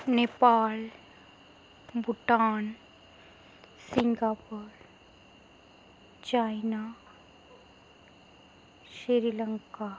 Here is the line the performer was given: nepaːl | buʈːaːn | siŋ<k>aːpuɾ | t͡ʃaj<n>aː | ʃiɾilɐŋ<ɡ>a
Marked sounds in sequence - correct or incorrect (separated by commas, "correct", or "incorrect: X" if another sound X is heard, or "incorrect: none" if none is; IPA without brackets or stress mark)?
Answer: incorrect: ɡ, correct, incorrect: k